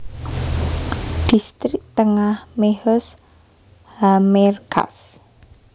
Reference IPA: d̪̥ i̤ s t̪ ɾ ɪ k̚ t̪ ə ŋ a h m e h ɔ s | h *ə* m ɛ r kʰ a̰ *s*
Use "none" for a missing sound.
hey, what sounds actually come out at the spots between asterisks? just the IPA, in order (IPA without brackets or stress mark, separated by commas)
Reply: a, s